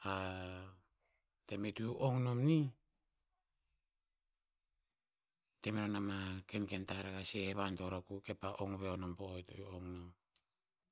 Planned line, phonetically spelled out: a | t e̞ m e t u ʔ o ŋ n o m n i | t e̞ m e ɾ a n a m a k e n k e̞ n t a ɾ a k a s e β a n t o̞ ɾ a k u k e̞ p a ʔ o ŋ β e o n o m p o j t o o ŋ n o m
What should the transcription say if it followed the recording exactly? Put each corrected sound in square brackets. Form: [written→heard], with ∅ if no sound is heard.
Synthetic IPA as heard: a | t e̞ m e t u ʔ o ŋ n o m n i | t e̞ m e ɾ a n a m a k e n k e̞ n t a ɾ a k a s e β a n t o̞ ɾ a k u k e̞ p a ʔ o ŋ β e o n o m p o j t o o ŋ n o m